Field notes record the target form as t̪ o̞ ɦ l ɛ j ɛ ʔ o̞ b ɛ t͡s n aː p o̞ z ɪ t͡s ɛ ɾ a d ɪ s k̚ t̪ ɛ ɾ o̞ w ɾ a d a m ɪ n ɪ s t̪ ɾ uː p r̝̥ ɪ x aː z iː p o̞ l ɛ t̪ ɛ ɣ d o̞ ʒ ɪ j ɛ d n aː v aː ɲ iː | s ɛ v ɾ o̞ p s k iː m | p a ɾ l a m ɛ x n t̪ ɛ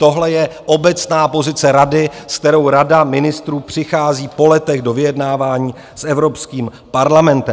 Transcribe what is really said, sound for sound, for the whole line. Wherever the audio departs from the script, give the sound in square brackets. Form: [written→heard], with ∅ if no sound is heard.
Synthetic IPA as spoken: t̪ o̞ ɦ l ɛ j ɛ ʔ o̞ b ɛ t͡s n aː p o̞ z ɪ t͡s ɛ ɾ a d ɪ s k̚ t̪ ɛ ɾ o̞ w ɾ a d a m ɪ n ɪ s t̪ ɾ uː p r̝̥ ɪ x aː z iː p o̞ l ɛ t̪ ɛ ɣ d o̞ [ʒ→v] ɪ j ɛ d n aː v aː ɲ iː | s ɛ v ɾ o̞ p s k iː m | p a ɾ l a m ɛ [x→∅] n t̪ ɛ

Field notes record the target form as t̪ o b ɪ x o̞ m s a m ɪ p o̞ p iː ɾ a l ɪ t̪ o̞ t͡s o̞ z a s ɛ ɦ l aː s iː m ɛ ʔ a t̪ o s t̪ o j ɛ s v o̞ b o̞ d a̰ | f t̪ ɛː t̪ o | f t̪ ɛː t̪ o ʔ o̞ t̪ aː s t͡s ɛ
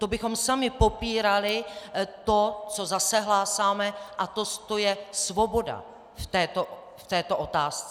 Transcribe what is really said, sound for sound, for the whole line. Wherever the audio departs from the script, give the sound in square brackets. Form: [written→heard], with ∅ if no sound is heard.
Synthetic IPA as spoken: t̪ o b ɪ x o̞ m s a m ɪ p o̞ p iː ɾ a l ɪ t̪ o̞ t͡s o̞ z a s ɛ ɦ l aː s [iː→aː] m ɛ ʔ a t̪ o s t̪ o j ɛ s v o̞ b o̞ d a̰ | f t̪ ɛː t̪ o | f t̪ ɛː t̪ o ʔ o̞ t̪ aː s t͡s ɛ

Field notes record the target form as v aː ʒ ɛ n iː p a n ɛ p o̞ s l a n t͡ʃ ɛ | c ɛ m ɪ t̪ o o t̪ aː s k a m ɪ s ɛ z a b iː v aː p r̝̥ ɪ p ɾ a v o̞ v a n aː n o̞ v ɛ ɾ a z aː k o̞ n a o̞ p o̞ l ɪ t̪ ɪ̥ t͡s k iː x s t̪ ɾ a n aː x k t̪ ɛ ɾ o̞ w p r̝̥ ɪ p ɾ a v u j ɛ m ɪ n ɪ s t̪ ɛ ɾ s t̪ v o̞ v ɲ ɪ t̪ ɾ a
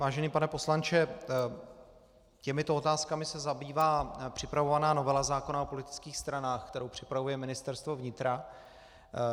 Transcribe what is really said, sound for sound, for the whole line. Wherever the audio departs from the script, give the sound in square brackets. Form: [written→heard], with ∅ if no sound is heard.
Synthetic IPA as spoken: v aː ʒ ɛ n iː p a n ɛ p o̞ s l a n t͡ʃ ɛ | c ɛ m ɪ t̪ o o t̪ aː s k a m ɪ s ɛ z a b iː v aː p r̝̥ ɪ p ɾ a v o̞ v a n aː n o̞ v ɛ [ɾ→l] a z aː k o̞ n a o̞ p o̞ l ɪ t̪ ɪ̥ t͡s k iː x s t̪ ɾ a n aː x k t̪ ɛ ɾ o̞ w p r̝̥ ɪ p ɾ a v u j ɛ m ɪ n ɪ s t̪ ɛ ɾ s t̪ v o̞ v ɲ ɪ t̪ ɾ a

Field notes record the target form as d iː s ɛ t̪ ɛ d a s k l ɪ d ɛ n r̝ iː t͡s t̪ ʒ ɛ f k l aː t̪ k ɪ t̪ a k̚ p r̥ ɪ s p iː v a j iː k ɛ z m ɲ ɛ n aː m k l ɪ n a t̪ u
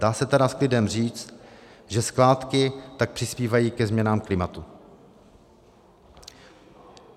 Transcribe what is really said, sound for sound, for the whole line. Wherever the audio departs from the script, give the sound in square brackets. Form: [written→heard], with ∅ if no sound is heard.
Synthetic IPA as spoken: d [iː→aː] s ɛ t̪ ɛ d a s k l ɪ d ɛ [n→m] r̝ iː t͡s t̪ ʒ ɛ [f→s] k l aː t̪ k ɪ t̪ a k̚ p r̥ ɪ s p iː v a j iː k ɛ z m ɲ ɛ n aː m k l ɪ [n→m] a t̪ u

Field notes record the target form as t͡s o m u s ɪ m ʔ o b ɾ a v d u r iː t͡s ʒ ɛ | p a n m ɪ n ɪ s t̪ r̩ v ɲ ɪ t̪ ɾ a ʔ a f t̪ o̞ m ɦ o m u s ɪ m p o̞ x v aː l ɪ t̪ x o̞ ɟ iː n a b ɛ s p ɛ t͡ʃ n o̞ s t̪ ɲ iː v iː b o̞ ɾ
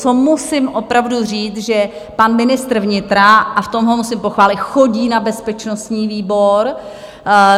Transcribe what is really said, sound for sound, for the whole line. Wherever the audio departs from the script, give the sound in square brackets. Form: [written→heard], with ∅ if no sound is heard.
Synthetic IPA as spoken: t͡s o m u s ɪ m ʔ o [b→p] ɾ a v d u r iː t͡s ʒ ɛ | p a n m ɪ n ɪ s t̪ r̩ v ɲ ɪ t̪ ɾ a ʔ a f t̪ o̞ m ɦ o m u s ɪ m p o̞ x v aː l ɪ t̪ x o̞ ɟ iː n a b ɛ s p ɛ t͡ʃ n o̞ s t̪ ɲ iː v iː b o̞ ɾ

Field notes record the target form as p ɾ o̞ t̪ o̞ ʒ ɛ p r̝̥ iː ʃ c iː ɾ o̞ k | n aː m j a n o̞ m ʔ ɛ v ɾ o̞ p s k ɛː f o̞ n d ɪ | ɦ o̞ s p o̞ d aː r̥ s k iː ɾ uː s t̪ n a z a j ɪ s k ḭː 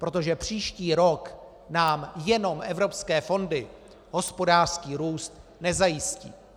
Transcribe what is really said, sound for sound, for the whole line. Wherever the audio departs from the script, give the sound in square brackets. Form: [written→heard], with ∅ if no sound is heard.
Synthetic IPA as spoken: p ɾ o̞ t̪ o̞ ʒ ɛ p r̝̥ iː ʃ c iː ɾ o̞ k | n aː m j [a→ɛ] n o̞ m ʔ ɛ v ɾ o̞ p s k ɛː f o̞ n d ɪ | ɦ o̞ s p o̞ d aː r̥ s k iː ɾ uː s t̪ n [a→ɛ] z a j ɪ s [k→c] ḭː

